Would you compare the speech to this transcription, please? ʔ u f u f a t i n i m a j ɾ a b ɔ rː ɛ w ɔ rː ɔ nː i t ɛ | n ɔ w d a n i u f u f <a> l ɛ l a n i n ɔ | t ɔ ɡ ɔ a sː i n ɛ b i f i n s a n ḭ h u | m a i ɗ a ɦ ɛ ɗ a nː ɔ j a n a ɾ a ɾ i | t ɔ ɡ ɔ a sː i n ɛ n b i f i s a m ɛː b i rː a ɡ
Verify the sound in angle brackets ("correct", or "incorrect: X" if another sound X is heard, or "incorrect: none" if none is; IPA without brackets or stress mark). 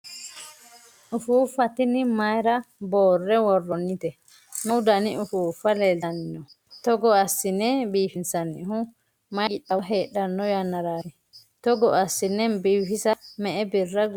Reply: correct